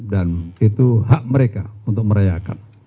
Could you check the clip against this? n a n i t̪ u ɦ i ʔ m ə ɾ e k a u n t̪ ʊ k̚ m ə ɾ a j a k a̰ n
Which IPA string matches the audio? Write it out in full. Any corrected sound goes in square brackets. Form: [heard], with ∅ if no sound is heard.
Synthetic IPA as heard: [d] a n i t̪ u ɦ [a] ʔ m ə ɾ e k a u n t̪ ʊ k̚ m ə ɾ a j a k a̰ n